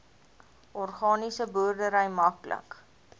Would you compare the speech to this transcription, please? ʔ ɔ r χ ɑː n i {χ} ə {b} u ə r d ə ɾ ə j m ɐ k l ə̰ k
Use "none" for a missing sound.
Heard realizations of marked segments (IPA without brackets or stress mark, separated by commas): s, b